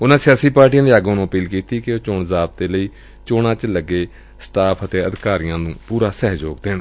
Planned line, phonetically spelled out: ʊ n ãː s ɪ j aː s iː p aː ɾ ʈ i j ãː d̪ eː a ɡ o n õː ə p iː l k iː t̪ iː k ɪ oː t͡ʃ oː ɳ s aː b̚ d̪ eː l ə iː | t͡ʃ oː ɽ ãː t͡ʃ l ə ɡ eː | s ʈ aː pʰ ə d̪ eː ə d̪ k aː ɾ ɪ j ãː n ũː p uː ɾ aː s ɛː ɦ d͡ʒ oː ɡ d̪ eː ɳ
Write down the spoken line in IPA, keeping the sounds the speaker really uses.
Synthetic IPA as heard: ʊ n ãː s ɪ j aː s iː p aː ɾ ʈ i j ãː d̪ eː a ɡ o n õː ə p iː l k iː t̪ iː k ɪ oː t͡ʃ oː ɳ z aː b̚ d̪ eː l ə iː | t͡ʃ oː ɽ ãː t͡ʃ l ə ɡ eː | s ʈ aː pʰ ə t̪ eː ə d̪ k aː ɾ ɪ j ãː n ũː p uː ɾ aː s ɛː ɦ d͡ʒ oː ɡ d̪ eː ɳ